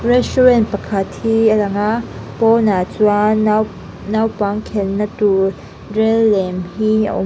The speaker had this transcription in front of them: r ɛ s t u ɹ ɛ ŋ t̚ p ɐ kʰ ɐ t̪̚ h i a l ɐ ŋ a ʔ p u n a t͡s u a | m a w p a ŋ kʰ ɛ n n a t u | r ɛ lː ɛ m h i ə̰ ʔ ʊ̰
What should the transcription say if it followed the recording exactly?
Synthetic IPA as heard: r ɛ s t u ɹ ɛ n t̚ p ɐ kʰ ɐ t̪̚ h i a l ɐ ŋ a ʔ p ɔ n a t͡s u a | n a w p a ŋ kʰ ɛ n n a t u | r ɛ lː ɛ m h i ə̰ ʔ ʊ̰